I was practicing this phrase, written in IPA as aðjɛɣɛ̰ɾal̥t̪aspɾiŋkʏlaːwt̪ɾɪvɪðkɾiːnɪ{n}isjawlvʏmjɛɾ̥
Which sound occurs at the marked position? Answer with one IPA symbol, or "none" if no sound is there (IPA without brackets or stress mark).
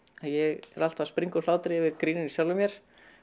n